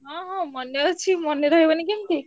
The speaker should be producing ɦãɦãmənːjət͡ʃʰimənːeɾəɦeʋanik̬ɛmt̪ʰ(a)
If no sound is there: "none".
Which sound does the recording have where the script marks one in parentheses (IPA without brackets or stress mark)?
i